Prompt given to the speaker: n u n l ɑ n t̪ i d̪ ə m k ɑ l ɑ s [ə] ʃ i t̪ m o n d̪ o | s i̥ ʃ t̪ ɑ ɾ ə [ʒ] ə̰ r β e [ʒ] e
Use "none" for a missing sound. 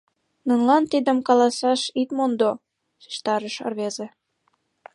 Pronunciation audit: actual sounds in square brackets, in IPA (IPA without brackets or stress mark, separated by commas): ɑ, ʃ, z